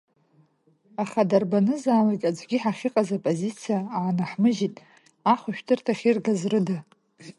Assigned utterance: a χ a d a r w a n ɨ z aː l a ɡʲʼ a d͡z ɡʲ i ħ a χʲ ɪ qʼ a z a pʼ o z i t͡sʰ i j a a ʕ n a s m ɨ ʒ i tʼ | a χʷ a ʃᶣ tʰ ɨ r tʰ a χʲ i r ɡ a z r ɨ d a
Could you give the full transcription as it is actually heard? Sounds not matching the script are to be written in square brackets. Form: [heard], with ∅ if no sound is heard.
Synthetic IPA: a χ a d a r [b] a n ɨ z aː l a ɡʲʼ a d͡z ɡʲ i ħ a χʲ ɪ qʼ a z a pʼ o z i t͡sʰ i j a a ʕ n a [ħ] m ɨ ʒ i tʼ | a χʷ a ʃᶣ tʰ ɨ r tʰ a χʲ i r ɡ a z r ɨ d a